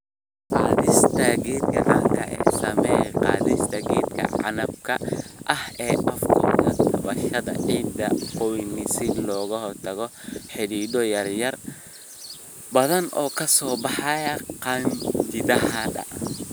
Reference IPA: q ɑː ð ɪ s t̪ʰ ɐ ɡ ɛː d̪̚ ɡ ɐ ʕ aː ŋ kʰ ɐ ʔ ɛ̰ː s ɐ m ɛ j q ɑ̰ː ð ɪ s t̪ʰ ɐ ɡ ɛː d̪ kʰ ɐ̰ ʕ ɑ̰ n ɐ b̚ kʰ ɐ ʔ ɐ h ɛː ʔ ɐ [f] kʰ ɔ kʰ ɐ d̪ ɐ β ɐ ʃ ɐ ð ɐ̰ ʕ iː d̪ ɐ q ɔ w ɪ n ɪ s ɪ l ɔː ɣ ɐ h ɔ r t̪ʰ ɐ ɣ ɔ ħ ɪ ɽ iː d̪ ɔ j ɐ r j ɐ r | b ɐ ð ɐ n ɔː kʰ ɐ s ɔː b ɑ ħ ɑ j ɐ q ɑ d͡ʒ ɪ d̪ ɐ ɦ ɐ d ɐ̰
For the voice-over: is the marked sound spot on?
yes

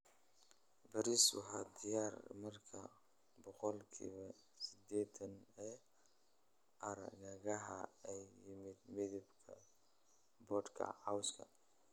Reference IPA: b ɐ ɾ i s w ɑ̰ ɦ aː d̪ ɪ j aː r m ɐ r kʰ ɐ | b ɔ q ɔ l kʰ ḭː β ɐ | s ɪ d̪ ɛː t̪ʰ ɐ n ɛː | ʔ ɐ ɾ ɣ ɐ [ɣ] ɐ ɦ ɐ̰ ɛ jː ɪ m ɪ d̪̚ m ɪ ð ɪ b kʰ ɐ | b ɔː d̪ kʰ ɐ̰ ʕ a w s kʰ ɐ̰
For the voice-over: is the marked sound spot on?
yes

